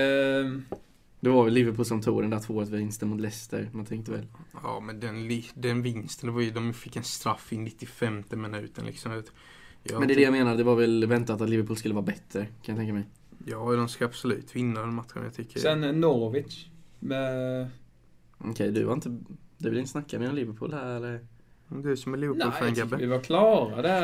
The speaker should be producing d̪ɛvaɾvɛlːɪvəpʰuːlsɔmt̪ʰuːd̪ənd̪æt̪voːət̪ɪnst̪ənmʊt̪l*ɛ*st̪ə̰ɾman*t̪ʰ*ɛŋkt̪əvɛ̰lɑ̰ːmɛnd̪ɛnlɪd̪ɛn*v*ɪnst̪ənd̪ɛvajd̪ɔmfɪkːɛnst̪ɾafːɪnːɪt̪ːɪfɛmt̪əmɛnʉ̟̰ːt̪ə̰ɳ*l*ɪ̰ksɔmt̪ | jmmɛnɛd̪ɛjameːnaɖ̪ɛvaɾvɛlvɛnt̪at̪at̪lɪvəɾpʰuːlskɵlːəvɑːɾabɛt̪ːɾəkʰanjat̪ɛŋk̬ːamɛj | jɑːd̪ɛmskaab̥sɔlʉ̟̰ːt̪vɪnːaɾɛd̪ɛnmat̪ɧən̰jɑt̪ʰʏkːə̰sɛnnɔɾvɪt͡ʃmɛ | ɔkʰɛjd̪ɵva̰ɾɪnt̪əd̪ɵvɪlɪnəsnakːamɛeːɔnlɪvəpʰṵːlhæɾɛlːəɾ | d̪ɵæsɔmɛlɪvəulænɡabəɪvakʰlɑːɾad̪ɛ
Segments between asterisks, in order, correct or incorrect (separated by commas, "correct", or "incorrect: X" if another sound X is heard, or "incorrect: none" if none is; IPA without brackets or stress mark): correct, correct, correct, correct